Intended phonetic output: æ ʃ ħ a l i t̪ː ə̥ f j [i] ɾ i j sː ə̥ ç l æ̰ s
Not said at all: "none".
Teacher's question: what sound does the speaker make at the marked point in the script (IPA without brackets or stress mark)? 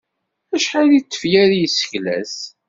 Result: æ